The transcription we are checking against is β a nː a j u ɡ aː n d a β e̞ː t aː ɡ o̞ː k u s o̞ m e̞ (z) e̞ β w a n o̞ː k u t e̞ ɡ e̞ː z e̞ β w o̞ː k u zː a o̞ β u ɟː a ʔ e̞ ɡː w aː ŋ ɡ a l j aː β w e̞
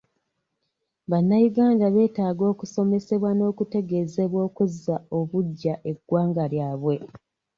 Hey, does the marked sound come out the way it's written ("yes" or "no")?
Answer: no